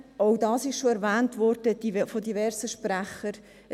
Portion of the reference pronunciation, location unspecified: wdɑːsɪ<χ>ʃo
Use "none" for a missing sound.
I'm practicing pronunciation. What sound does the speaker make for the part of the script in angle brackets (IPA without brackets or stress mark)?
ʃ